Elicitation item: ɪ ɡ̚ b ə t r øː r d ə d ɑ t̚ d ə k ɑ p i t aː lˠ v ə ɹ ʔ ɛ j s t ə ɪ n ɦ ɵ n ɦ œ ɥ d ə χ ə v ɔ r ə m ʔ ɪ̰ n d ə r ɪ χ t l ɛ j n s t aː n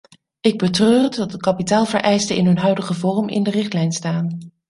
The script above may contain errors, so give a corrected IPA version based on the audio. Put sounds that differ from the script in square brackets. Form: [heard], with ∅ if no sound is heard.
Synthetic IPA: ɪ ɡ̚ b ə t r øː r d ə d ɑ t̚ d ə k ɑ p i t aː lˠ v ə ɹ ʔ ɛ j s t ə ɪ n ɦ ɵ n ɦ œ ɥ d ə χ ə v ɔ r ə m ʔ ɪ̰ n d ə r ɪ χ t l ɛ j n s t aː n